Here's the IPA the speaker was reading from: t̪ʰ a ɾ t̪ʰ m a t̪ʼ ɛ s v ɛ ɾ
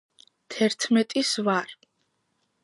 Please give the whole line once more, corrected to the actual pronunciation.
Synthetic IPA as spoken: t̪ʰ ɛ ɾ t̪ʰ m ɛ t̪ʼ i s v a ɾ